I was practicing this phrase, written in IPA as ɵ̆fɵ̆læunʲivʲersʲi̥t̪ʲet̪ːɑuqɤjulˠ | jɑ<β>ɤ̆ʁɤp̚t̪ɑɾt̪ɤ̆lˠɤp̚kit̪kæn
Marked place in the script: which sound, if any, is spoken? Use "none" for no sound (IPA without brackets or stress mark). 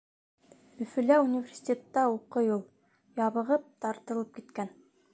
β